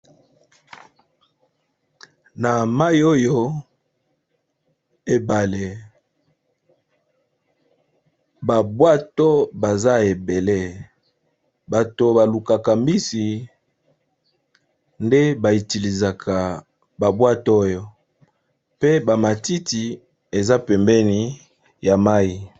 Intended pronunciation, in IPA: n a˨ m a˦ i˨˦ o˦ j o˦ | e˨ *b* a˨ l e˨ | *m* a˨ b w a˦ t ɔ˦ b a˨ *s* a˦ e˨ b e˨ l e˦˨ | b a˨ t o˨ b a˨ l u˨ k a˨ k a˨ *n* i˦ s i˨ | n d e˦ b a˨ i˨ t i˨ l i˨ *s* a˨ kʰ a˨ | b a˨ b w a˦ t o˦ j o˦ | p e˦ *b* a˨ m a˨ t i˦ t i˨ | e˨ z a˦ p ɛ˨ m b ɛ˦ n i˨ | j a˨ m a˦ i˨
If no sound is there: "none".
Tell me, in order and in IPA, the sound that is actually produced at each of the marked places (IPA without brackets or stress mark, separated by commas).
b, b, z, m, z, b